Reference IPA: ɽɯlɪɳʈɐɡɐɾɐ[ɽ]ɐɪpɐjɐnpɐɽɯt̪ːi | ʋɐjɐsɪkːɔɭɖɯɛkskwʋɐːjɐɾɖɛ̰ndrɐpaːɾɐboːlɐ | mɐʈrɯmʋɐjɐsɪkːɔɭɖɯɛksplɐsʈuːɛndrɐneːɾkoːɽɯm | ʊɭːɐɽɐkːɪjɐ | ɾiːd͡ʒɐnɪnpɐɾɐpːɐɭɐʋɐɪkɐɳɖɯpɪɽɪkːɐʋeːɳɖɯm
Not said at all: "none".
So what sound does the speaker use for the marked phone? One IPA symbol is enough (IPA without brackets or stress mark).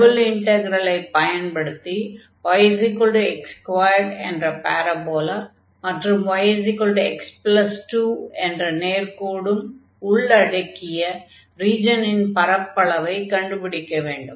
l